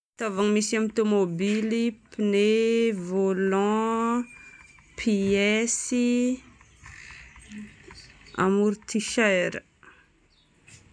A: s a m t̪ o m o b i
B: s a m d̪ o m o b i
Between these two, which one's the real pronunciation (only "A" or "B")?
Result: A